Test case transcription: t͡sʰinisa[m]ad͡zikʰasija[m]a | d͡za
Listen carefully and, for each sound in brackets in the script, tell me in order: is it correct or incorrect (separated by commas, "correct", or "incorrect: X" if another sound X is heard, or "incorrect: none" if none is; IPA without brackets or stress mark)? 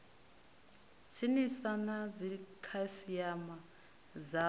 incorrect: n, correct